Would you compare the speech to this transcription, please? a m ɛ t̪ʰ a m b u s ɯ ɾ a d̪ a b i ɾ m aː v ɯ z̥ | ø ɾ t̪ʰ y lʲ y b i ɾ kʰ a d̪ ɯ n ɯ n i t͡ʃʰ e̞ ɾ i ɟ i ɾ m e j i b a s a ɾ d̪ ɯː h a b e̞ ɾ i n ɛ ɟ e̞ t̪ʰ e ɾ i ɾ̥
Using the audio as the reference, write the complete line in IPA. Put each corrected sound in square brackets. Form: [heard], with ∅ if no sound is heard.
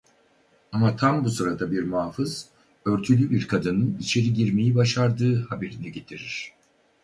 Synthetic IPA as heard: a m [a] t̪ʰ a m b u s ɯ ɾ a d̪ a b i ɾ m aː [f] ɯ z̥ | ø ɾ t̪ʰ y lʲ y b i ɾ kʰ a d̪ ɯ n ɯ n i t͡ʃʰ e̞ ɾ i ɟ i ɾ m e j i b a [ʃ] a ɾ d̪ ɯː h a b e̞ ɾ i n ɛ ɟ e̞ t̪ʰ [i] ɾ i ɾ̥

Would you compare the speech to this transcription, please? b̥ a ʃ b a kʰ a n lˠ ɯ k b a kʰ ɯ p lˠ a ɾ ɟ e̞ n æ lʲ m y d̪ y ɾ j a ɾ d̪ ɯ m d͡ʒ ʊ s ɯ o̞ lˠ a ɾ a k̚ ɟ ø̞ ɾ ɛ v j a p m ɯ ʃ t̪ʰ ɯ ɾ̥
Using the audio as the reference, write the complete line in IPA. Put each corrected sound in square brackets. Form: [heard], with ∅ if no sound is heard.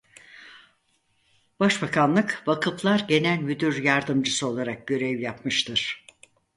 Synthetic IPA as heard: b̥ a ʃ b a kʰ a n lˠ ɯ k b a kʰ ɯ p lˠ a ɾ ɟ e̞ n æ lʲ m y d̪ y ɾ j a ɾ d̪ ɯ m d͡ʒ [ɯ] s ɯ o̞ lˠ a ɾ a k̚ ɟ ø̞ ɾ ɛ v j a p m ɯ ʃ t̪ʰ ɯ ɾ̥

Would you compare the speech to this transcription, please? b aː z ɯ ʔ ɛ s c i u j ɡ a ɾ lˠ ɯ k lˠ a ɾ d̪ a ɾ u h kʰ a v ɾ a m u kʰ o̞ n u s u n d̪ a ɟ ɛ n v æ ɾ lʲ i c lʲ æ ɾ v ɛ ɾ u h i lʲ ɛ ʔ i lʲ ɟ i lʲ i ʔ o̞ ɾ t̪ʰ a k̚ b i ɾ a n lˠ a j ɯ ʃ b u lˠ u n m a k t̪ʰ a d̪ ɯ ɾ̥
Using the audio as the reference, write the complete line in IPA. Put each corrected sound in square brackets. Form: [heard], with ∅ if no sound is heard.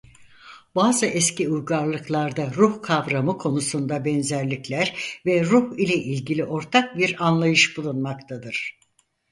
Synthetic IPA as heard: b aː z ɯ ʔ ɛ s c i u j ɡ a ɾ lˠ ɯ k lˠ a ɾ d̪ a ɾ u h kʰ a v ɾ a m [ɯ] kʰ o̞ n u s u n d̪ a [b] ɛ n [z] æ ɾ lʲ i c lʲ æ ɾ v ɛ ɾ u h i lʲ ɛ ʔ i lʲ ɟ i lʲ i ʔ o̞ ɾ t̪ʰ a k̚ b i ɾ a n lˠ a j ɯ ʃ b u lˠ u n m a k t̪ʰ a d̪ ɯ ɾ̥

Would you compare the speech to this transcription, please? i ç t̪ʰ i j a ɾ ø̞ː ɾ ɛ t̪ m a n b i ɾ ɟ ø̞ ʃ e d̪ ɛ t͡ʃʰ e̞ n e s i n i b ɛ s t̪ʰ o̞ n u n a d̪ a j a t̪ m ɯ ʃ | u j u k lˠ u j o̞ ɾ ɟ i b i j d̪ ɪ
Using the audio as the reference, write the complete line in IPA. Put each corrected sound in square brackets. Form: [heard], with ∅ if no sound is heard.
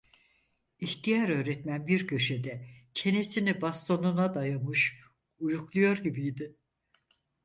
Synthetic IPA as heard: i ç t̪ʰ i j a ɾ ø̞ː ɾ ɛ t̪ m [æ] n b i ɾ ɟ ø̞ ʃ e d̪ ɛ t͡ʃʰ e̞ n e s i n i b [a] s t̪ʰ o̞ n u n a d̪ a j a [∅] m ɯ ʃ | u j u k lˠ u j o̞ ɾ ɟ i b i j d̪ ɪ

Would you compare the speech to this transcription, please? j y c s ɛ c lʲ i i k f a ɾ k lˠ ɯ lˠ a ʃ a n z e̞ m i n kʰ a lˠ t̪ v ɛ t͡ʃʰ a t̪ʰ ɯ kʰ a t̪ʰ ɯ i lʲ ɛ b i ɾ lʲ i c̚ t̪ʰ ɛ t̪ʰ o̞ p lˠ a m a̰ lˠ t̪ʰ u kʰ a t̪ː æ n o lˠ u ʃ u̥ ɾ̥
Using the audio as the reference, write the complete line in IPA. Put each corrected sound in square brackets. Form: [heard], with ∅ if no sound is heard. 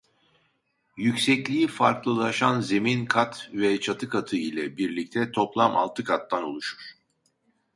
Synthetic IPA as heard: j y c s ɛ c lʲ i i [∅] f a ɾ k lˠ ɯ lˠ a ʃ a n z e̞ m i n kʰ a [∅] t̪ v ɛ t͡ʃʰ a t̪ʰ ɯ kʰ a t̪ʰ ɯ i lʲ ɛ b i ɾ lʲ i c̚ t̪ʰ ɛ t̪ʰ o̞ p lˠ a m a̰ lˠ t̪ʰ [ɯ] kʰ a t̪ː [a] n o lˠ u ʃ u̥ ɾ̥

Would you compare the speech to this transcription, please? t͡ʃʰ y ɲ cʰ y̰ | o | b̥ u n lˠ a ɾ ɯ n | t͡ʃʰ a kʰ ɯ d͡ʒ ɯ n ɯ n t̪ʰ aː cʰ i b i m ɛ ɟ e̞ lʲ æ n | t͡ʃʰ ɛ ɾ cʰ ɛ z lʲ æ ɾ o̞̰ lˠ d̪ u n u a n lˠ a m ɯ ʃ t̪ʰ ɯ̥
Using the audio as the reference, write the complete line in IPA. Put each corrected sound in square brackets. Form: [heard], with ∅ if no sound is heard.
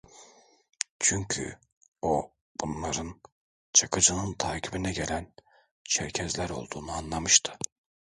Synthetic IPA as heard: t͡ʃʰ y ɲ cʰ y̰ | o | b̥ u n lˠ a ɾ ɯ n | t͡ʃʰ a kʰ ɯ d͡ʒ ɯ n ɯ n t̪ʰ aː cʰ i b i [n] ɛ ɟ e̞ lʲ æ n | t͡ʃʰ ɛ ɾ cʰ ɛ z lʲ æ ɾ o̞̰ lˠ d̪ [uː] n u a n lˠ a m ɯ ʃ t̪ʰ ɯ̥

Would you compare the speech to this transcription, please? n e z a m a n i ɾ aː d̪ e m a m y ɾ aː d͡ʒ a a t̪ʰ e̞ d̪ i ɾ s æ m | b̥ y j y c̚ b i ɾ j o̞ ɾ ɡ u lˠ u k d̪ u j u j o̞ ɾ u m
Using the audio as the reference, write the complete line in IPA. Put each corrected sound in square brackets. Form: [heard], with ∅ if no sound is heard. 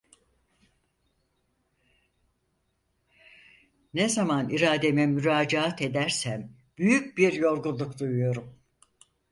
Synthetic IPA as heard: n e z a m a n i ɾ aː d̪ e m [ɛ] m y ɾ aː d͡ʒ a a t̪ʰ e̞ d̪ [æ] ɾ s æ m | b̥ y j y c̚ b i ɾ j o̞ ɾ ɡ u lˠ u k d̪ u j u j o̞ ɾ u m

